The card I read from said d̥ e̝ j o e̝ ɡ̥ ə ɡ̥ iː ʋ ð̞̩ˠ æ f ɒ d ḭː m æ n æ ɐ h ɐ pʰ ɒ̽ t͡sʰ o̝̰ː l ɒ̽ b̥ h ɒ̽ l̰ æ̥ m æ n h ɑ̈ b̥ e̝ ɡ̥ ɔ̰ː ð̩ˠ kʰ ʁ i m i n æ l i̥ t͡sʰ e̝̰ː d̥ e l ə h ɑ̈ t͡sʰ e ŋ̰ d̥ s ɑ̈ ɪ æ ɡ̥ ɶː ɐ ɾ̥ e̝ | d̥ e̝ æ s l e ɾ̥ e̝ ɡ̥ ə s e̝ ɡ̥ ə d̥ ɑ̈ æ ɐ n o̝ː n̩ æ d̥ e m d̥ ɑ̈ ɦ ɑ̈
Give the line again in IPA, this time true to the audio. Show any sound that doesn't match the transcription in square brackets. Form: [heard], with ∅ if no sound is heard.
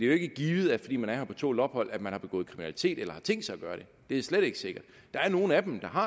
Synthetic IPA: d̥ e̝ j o e̝ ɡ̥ ə ɡ̥ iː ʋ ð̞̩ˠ æ f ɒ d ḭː m æ n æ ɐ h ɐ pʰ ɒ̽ t͡sʰ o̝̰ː l ɒ̽ b̥ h ɒ̽ l̰ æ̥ m æ n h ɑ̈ b̥ e̝ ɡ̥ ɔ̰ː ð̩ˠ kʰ ʁ i m i n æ l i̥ t͡sʰ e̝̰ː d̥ e l [ɐ] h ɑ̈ t͡sʰ e ŋ̰ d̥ s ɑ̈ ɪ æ ɡ̥ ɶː ɐ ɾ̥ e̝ | d̥ e̝ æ s l e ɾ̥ e̝ ɡ̥ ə s e̝ ɡ̥ [ɐ] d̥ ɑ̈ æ ɐ n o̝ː n̩ æ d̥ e m d̥ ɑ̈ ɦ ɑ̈